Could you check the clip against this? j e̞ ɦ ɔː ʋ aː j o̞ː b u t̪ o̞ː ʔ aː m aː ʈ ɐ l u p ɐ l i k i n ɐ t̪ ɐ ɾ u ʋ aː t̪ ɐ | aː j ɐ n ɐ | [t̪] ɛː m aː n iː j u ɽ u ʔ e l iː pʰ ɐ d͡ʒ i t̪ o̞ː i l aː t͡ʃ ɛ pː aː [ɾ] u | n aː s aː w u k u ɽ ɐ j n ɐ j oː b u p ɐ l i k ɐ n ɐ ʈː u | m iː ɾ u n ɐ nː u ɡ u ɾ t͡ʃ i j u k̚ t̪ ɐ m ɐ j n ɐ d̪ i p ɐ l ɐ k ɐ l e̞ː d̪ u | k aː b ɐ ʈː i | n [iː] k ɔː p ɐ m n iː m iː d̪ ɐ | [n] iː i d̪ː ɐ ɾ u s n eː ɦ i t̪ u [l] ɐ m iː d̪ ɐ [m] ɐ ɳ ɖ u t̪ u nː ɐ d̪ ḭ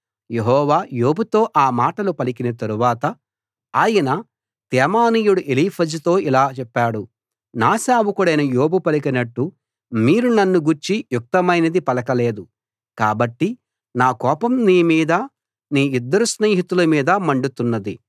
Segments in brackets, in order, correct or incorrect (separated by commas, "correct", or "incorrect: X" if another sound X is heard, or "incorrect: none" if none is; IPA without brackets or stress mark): correct, incorrect: ɽ, incorrect: aː, correct, correct, correct